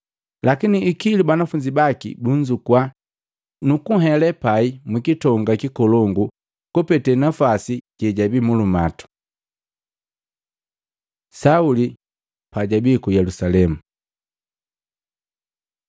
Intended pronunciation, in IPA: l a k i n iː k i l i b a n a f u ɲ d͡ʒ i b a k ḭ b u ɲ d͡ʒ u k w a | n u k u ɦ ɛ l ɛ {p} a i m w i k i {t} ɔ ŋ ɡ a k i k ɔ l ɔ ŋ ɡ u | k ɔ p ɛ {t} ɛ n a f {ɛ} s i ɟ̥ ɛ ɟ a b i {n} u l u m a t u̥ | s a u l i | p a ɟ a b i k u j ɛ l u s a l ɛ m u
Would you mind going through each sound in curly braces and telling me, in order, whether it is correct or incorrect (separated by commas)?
correct, correct, correct, incorrect, incorrect